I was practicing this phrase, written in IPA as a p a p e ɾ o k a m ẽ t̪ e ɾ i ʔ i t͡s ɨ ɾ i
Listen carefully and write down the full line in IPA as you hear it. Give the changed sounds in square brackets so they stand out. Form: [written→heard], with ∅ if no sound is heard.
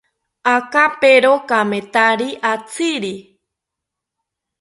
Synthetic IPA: a [p→k] a p e ɾ o k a m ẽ t̪ [e→a] ɾ i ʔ [i→a] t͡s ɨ ɾ i